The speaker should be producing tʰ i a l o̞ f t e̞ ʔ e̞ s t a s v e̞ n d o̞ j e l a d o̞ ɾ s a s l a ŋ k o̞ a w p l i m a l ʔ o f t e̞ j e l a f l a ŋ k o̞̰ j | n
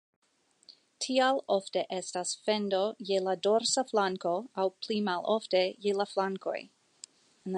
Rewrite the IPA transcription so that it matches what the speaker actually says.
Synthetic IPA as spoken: tʰ i a l o̞ f t e̞ ʔ e̞ s t a s f e̞ n d o̞ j e l a d o̞ ɾ s a f l a ŋ k o̞ a w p l i m a l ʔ o f t e̞ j e l a f l a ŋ k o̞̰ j | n